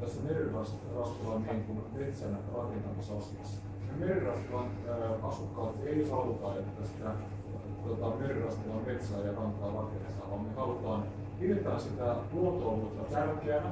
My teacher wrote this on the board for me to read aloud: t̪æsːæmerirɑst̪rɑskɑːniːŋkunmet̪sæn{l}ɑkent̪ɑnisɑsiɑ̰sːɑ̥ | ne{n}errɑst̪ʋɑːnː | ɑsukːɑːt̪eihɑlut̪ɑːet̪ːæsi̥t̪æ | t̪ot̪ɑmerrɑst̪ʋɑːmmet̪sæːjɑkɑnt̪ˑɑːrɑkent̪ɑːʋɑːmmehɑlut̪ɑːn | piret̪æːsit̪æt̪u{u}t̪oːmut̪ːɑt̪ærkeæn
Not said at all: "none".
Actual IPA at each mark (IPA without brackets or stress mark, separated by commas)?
r, m, o